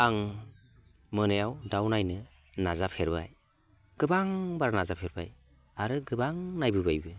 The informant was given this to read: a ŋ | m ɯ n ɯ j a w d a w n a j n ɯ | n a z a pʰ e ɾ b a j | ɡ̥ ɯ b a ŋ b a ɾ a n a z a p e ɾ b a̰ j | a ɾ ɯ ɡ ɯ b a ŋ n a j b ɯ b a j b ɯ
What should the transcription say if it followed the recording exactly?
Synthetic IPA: a ŋ | m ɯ n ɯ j a w d a w n a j n ɯ | n a z a pʰ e ɾ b a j | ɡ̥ ɯ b a ŋ b a ɾ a n a z a pʰ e ɾ b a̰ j | a ɾ ɯ ɡ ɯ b a ŋ n a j b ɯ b a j b ɯ